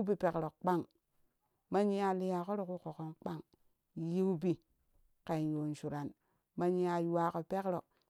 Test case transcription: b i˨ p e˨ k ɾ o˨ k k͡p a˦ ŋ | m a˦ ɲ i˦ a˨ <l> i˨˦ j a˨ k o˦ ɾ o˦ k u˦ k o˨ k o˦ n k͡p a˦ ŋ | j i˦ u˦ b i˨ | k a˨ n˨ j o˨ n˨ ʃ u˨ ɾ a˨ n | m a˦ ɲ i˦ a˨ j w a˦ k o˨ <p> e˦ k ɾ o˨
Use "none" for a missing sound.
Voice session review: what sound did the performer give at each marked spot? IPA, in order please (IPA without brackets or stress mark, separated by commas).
l, p